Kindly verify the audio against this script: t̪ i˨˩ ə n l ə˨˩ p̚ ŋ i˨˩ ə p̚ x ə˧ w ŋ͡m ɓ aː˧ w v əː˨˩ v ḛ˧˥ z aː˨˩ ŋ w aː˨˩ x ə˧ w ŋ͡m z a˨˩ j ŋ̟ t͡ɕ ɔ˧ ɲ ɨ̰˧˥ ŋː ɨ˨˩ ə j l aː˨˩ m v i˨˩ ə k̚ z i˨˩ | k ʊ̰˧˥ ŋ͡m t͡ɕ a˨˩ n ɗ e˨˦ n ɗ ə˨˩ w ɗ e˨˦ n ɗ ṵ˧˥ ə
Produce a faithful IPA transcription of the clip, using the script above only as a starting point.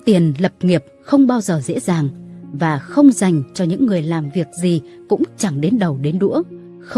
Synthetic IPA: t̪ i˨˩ ə n l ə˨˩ p̚ ŋ i˨˩ ə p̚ x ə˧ w ŋ͡m ɓ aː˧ w z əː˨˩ z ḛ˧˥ z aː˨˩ ŋ v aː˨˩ x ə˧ w ŋ͡m z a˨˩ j ŋ̟ t͡ɕ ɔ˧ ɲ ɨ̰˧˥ ŋː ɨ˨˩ ə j l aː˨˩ m v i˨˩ ə k̚ z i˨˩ | k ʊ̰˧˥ ŋ͡m t͡ɕ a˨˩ ŋ ɗ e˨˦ n ɗ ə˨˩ w ɗ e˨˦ n ɗ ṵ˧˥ ə